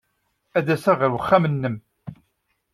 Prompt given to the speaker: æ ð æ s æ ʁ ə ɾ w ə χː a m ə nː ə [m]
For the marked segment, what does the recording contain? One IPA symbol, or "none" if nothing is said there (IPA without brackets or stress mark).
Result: m